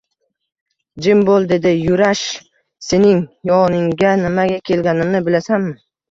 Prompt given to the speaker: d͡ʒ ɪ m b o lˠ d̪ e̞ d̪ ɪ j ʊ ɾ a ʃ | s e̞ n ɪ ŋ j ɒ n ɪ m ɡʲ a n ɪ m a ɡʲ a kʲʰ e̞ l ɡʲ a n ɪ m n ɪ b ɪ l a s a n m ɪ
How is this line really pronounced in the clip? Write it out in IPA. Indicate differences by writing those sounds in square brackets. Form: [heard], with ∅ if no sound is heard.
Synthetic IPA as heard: d͡ʒ ɪ m b o lˠ d̪ e̞ d̪ ɪ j ʊ ɾ a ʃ | s e̞ n ɪ ŋ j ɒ n ɪ [ŋ] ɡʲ a n ɪ m a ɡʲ a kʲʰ e̞ l ɡʲ a n ɪ m n ɪ b ɪ l a s a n m ɪ

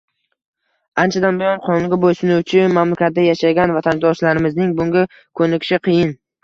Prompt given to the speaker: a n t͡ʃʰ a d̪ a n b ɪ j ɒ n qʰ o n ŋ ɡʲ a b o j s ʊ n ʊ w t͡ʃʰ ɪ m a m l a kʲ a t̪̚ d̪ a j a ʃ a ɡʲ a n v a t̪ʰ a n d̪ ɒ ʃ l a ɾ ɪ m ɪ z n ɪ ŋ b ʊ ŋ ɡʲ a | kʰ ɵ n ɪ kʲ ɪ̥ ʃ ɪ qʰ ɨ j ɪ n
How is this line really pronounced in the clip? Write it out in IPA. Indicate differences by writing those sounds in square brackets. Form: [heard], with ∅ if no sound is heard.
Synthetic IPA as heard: a n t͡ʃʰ a d̪ a n b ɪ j ɒ n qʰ [ɒ] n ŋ ɡʲ a b o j s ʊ n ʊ w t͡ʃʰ ɪ m a m l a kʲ a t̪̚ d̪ a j a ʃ a ɡʲ a n v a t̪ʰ a n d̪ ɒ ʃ l a ɾ ɪ m ɪ z n ɪ ŋ b ʊ ŋ ɡʲ a | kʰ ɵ n ɪ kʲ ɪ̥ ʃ ɪ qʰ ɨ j ɪ n

